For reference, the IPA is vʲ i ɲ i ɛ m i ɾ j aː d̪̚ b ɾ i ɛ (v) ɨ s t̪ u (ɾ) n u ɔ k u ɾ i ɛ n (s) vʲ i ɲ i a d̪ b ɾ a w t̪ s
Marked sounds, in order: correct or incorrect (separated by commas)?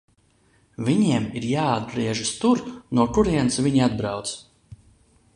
incorrect, correct, correct